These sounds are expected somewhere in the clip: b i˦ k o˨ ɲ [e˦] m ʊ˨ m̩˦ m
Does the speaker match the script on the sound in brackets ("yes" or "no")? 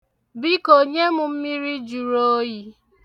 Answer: yes